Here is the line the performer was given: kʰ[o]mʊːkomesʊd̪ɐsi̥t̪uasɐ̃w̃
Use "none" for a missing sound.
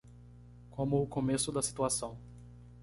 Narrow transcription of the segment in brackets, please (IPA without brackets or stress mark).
õ